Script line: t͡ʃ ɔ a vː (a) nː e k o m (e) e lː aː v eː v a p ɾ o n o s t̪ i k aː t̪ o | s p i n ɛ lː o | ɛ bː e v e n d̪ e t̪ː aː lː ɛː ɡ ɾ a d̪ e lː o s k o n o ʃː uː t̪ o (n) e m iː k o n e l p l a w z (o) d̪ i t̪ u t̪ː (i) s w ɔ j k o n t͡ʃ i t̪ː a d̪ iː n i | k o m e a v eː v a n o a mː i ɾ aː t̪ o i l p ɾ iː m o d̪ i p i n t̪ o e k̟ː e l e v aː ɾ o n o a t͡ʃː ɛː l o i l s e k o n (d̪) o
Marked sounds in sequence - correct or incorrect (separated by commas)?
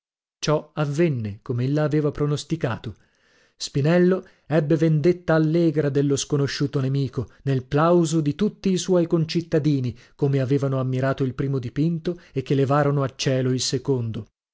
incorrect, correct, correct, correct, incorrect, correct